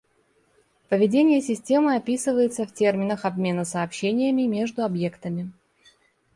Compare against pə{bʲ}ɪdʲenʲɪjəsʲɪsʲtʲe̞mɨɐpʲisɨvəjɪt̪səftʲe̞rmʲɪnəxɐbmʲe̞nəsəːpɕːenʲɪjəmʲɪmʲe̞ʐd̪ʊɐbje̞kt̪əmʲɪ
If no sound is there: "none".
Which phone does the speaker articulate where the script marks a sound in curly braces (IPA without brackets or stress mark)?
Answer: vʲ